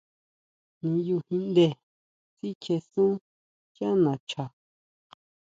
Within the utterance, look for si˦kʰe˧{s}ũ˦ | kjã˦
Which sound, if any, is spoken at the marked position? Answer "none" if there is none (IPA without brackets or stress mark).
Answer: s